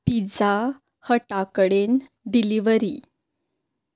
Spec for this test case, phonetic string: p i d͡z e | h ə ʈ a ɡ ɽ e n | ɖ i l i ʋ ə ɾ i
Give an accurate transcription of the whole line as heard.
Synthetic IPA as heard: p i d͡z a | h ə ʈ a k ɽ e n | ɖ i l i ʋ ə ɾ i